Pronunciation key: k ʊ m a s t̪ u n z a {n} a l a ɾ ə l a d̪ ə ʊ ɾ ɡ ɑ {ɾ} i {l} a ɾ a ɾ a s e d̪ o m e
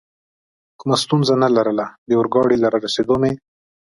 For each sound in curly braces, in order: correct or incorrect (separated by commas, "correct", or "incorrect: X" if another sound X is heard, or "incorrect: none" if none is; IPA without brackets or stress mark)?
correct, incorrect: ɽ, correct